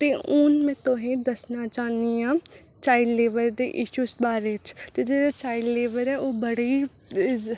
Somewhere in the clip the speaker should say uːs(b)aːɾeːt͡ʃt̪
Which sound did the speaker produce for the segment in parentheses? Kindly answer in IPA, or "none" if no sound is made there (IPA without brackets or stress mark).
b